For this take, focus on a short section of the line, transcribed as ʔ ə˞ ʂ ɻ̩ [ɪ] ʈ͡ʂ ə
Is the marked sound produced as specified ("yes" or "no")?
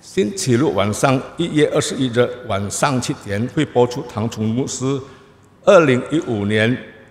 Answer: no